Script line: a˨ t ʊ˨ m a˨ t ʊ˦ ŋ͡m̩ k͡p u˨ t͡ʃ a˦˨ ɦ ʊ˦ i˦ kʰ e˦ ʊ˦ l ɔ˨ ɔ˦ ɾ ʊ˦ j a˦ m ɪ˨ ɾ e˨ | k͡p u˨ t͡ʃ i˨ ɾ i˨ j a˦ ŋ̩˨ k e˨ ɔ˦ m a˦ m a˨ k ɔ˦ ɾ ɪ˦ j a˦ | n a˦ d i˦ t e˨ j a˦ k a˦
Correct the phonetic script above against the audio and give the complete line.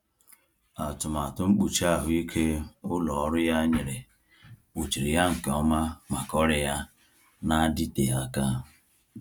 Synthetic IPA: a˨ t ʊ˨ m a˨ t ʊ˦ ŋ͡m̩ k͡p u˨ t͡ʃ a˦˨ ɦ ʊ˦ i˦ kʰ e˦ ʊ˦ l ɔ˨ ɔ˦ ɾ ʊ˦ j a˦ ɲ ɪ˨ ɾ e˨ | k͡p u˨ t͡ʃ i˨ ɾ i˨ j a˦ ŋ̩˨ k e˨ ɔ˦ m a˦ m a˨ k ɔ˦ ɾ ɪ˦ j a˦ | n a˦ d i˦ t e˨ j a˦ k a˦

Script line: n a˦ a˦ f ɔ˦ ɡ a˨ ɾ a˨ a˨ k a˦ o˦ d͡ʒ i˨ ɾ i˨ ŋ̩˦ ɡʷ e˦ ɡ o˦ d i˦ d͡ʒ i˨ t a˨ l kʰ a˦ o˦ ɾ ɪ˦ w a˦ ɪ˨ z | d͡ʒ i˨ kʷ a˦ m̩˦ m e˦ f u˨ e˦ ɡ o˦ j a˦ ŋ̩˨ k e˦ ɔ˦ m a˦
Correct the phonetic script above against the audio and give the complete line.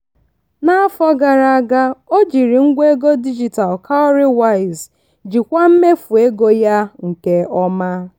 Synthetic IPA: n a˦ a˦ f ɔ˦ ɡ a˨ ɾ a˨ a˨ ɡ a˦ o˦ d͡ʒ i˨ ɾ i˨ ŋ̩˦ ɡʷ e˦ ɡ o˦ d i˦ d͡ʒ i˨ t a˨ l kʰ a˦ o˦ ɾ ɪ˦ w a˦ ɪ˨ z | d͡ʒ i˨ kʷ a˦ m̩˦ m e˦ f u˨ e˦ ɡ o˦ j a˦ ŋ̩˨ k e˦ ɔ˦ m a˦

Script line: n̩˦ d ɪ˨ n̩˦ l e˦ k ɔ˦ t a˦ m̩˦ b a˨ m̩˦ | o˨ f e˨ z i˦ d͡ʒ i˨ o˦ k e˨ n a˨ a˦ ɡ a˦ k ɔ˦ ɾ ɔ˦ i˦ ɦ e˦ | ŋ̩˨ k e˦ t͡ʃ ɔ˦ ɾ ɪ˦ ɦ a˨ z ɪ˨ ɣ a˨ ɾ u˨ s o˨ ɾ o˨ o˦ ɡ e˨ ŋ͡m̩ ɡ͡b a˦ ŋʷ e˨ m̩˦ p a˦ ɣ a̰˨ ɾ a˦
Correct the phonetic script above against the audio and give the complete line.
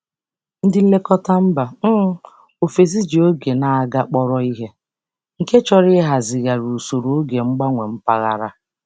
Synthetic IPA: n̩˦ d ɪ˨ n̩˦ l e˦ k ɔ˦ t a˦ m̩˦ b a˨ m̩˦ | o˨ f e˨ z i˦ d͡ʒ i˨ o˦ ɡ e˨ n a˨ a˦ ɡ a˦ k͡p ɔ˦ ɾ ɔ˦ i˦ ɦ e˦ | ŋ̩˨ k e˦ t͡ʃ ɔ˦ ɾ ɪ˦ ɦ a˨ z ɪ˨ ɣ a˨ ɾ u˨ s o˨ ɾ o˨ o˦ ɡ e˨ ŋ͡m̩ ɡ͡b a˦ ŋʷ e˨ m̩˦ p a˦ ɣ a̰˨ ɾ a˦

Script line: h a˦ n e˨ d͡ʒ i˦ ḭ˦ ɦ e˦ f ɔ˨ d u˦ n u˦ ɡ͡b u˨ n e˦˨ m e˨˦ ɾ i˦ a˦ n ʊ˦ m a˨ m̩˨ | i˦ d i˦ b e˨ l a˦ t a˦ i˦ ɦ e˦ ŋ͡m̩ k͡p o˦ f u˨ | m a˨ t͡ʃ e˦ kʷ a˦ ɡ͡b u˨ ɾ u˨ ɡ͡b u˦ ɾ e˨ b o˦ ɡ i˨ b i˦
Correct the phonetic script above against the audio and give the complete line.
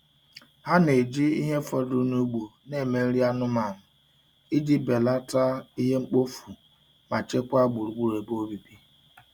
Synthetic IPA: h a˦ n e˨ d͡ʒ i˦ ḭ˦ ɦ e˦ f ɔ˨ d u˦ n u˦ ɡ͡b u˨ n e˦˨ m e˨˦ ɾ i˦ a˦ n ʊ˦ m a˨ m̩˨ | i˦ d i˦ b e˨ l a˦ t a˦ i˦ ɦ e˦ ŋ͡m̩ k͡p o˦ f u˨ | m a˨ t͡ʃ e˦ kʷ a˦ ɡ͡b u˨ ɾ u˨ ɡ͡b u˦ ɾ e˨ b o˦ b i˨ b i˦

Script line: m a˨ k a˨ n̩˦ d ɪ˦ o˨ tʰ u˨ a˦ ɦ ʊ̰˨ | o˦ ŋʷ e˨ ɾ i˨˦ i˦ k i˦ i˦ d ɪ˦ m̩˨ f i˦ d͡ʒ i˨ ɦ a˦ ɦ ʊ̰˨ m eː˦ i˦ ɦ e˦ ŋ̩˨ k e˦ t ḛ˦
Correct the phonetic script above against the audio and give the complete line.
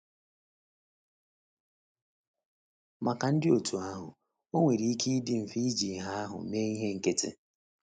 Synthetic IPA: m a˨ k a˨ n̩˦ d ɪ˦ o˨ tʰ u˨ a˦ ɦ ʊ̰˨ | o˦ ŋʷ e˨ ɾ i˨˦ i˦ k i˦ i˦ d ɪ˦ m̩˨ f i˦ d͡ʒ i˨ ɦ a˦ ɦ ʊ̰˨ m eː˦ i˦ ɦ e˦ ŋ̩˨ k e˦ t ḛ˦

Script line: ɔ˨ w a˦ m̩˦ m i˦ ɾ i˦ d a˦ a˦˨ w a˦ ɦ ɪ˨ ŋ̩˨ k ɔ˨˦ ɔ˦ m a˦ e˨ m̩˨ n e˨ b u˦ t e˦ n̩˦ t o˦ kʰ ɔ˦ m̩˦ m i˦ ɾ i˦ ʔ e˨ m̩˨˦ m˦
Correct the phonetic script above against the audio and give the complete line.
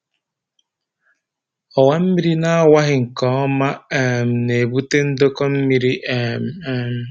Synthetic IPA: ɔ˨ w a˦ m̩˦ m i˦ ɾ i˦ n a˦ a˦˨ w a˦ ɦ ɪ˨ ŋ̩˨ k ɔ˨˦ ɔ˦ m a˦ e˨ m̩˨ n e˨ b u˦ t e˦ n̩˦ d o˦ k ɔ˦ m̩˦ m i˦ ɾ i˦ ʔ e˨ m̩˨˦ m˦

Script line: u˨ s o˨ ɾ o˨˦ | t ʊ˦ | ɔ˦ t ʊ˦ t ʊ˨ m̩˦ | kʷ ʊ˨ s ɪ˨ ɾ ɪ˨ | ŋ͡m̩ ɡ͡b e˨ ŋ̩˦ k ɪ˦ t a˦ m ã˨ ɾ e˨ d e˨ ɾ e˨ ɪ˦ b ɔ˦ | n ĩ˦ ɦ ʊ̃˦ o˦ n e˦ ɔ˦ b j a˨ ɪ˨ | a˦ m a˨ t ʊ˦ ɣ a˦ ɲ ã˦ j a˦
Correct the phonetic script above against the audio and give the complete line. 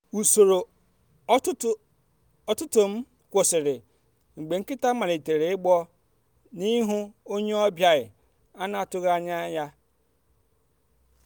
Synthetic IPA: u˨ s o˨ ɾ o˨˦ | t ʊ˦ | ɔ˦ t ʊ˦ t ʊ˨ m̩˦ | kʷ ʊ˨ s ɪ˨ ɾ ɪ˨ | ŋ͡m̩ ɡ͡b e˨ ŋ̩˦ k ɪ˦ t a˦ m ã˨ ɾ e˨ t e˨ ɾ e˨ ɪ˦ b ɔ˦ | n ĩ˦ ɦ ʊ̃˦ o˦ ɲ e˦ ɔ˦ b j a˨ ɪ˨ | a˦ n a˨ t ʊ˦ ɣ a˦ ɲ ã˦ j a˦

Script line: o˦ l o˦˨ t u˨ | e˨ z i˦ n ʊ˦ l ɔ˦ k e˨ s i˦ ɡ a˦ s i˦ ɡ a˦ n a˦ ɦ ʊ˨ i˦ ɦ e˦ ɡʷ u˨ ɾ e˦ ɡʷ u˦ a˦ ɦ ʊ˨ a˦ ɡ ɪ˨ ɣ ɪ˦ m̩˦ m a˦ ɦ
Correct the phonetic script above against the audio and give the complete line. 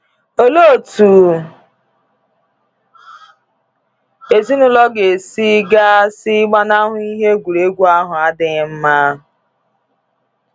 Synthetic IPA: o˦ l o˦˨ t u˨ | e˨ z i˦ n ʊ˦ l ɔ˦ ɡ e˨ s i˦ ɡ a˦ s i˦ ɡ͡b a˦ n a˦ ɦ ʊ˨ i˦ ɦ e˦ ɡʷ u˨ ɾ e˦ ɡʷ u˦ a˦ ɦ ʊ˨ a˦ d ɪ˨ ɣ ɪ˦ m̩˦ m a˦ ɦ

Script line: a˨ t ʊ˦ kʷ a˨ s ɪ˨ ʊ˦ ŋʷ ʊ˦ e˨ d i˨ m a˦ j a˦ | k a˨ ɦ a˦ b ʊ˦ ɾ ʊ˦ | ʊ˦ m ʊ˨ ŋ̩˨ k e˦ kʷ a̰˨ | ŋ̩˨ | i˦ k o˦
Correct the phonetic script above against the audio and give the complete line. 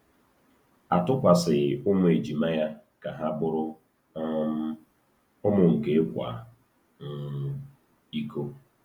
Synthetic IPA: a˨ t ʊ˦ kʷ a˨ s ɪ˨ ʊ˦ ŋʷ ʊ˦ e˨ d͡ʒ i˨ m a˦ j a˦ | k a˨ ɦ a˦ b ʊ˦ ɾ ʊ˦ | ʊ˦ m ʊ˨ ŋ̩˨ k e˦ kʷ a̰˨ | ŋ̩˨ | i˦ k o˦

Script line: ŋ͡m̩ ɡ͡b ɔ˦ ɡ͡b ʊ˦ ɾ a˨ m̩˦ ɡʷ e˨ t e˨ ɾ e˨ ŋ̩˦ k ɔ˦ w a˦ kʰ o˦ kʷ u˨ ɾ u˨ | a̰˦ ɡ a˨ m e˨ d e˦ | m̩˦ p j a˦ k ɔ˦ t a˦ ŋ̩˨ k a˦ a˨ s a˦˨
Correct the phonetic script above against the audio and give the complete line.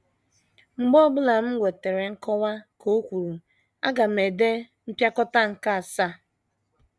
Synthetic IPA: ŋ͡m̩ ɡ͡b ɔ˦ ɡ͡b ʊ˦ l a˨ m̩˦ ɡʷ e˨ t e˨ ɾ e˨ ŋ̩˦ k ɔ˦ w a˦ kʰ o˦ kʷ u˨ ɾ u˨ | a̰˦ ɡ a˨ m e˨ d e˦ | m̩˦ p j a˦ k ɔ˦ t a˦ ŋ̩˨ k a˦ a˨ s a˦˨

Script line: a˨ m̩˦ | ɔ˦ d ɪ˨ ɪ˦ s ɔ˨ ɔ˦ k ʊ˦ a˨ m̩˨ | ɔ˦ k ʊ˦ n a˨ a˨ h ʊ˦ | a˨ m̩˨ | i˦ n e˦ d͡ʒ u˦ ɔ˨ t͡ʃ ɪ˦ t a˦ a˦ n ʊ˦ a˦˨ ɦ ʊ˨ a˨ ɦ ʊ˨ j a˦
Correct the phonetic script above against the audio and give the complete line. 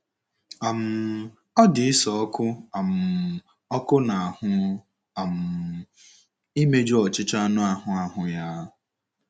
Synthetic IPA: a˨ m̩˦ | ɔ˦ d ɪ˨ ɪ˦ s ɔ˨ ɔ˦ k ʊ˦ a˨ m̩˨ | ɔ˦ k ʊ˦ n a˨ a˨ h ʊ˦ | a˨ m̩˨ | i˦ m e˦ d͡ʒ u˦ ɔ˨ t͡ʃ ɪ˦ t͡ʃ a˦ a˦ n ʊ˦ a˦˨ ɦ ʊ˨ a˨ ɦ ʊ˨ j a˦

